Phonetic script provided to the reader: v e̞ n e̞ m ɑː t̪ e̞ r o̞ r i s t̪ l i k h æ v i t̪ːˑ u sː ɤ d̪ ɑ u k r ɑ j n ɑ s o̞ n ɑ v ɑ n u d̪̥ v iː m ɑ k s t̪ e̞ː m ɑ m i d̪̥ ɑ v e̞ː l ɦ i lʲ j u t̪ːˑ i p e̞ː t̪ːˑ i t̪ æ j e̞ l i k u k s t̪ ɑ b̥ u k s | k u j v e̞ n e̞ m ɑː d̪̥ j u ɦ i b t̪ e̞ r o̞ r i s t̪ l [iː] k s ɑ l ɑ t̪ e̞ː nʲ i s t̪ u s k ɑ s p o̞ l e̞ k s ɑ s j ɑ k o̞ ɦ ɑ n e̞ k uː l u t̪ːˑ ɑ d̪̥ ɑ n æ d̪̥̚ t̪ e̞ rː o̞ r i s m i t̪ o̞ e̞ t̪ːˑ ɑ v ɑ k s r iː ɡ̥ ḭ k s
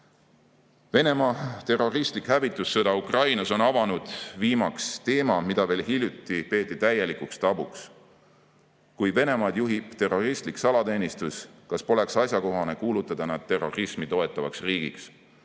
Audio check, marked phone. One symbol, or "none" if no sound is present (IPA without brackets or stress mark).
i